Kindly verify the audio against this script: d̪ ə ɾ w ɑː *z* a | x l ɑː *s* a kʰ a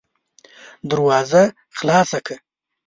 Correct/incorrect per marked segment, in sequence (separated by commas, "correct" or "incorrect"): correct, correct